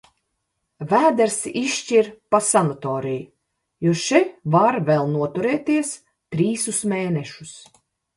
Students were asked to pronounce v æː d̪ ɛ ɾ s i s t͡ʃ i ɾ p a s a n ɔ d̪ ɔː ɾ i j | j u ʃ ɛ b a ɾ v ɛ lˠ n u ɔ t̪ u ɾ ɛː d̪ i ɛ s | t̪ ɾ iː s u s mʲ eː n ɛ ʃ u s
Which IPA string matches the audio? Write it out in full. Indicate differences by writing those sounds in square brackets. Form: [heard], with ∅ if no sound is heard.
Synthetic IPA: v æː d̪ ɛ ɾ s i [ʃ] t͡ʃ i ɾ p a s a n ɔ [t̪] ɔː ɾ i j | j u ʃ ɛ [v] a ɾ v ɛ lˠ n u ɔ t̪ u ɾ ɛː [t̪] i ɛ s | t̪ ɾ iː s u s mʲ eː n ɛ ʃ u s